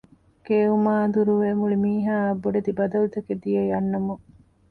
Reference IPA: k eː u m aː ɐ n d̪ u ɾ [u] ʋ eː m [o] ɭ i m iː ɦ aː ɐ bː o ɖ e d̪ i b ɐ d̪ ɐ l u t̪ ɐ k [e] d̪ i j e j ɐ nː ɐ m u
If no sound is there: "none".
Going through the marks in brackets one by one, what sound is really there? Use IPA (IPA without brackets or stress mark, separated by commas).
u, u, e